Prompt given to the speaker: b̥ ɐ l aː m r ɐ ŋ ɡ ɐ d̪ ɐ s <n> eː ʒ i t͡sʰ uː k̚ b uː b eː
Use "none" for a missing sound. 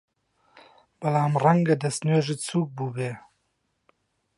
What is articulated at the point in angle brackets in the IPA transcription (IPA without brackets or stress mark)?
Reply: n